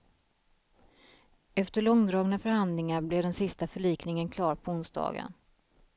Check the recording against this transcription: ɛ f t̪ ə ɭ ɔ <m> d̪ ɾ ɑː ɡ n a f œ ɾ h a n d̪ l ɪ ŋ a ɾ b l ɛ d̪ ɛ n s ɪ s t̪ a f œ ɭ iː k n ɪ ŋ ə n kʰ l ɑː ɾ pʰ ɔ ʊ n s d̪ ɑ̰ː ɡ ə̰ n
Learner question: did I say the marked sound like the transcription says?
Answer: no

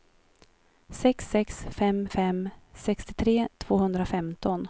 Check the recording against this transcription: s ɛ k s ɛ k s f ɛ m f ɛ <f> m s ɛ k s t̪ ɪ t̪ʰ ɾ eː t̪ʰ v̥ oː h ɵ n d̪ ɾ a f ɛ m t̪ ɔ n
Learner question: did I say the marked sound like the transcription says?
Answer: no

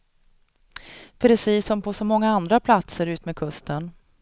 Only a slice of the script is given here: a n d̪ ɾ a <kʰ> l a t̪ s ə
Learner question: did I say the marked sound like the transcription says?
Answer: no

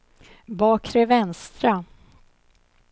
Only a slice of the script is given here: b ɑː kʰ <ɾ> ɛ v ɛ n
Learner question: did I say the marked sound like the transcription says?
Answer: yes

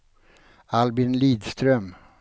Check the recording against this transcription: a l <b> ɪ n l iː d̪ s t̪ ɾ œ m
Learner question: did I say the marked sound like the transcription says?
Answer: yes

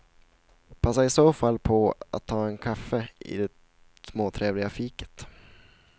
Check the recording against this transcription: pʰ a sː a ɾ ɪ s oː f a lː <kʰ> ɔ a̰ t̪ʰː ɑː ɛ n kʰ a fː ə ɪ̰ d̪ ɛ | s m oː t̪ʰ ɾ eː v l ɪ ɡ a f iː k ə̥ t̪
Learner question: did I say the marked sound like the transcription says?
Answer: no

